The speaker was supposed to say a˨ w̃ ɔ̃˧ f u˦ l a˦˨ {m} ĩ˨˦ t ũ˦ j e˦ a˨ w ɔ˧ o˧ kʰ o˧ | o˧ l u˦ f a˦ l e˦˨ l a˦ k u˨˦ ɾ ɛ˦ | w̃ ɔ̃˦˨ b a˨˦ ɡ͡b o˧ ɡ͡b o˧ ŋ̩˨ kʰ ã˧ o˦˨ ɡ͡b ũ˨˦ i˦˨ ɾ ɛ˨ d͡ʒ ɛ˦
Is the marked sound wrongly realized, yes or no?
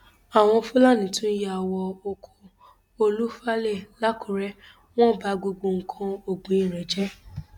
yes